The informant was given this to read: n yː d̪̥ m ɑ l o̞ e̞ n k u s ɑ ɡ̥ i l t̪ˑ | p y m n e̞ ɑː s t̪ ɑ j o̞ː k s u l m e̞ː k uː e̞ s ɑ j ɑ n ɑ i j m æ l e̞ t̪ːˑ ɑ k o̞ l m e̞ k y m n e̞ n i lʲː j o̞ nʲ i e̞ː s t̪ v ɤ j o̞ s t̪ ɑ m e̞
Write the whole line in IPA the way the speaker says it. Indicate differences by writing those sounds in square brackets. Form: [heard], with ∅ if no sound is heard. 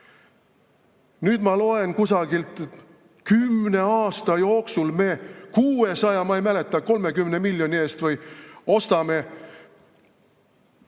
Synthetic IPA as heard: n yː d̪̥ m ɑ l o̞ e̞ n k u s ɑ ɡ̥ i l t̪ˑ | [k] y m n e̞ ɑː s t̪ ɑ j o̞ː k s u l m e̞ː k uː e̞ s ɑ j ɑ [m] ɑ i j m æ l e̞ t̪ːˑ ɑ k o̞ l m e̞ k y m n e̞ [m] i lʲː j o̞ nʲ i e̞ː s t̪ v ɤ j o̞ s t̪ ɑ m e̞

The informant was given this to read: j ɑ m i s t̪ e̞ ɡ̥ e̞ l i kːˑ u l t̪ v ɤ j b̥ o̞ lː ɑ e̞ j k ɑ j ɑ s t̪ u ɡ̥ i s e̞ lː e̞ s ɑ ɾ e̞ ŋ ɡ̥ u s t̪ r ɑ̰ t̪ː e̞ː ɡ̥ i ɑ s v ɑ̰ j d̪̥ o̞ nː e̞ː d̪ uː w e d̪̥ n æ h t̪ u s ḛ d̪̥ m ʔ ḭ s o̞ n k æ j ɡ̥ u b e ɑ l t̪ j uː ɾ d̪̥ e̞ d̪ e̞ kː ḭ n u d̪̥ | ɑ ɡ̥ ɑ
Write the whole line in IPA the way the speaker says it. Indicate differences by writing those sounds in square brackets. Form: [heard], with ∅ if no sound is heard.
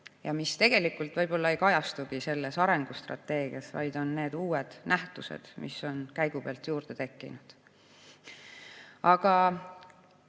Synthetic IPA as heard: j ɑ m i s t̪ e̞ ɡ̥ e̞ l i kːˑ u l t̪ v ɤ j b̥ o̞ lː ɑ e̞ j k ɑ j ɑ s t̪ u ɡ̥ i s e̞ lː e̞ s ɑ ɾ e̞ ŋ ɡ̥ u s t̪ r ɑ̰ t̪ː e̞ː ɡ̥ i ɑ s v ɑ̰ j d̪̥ o̞ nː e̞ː d̪ uː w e d̪̥ n æ h t̪ u s ḛ d̪̥ m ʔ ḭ s o̞ n k æ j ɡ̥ u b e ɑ l t̪ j uː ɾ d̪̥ e̞ [t̪] e̞ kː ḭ n u d̪̥ | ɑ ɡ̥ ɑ

